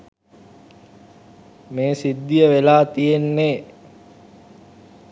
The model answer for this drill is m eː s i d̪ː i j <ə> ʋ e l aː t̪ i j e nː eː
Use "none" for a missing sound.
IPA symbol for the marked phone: ə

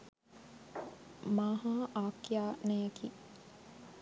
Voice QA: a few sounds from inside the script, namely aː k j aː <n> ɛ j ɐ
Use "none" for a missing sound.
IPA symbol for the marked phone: n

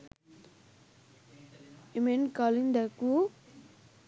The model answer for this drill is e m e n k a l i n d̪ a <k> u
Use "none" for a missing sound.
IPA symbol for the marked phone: k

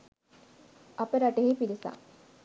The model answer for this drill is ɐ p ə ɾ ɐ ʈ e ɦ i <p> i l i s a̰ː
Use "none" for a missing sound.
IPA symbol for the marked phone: p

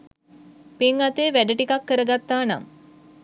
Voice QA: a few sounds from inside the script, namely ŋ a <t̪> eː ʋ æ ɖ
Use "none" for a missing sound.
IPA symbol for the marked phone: t̪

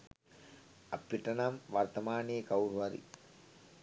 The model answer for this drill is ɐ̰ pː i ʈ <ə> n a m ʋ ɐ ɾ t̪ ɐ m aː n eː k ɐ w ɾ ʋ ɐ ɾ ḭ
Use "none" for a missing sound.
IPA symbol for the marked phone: ɐ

